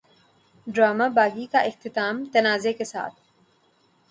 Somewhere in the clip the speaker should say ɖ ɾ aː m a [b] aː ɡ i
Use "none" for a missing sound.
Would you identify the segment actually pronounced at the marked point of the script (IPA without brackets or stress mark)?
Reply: b